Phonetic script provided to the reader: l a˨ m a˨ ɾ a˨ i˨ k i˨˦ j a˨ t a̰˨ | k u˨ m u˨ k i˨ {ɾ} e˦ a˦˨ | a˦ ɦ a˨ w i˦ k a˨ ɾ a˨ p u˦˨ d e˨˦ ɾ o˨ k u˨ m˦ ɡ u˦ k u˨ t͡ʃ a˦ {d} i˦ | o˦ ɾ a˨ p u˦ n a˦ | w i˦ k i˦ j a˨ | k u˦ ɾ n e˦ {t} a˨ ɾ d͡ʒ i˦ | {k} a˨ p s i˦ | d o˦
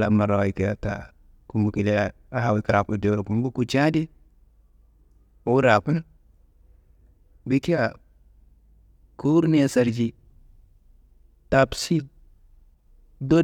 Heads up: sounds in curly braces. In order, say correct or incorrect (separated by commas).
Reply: incorrect, correct, incorrect, incorrect